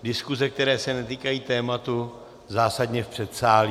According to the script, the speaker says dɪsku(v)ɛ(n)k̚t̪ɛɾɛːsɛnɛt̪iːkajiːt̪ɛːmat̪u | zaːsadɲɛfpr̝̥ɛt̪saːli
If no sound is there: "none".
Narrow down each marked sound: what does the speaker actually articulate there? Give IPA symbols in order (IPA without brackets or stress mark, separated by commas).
z, none